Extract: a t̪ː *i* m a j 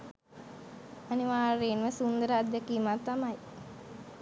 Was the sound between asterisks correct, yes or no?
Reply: no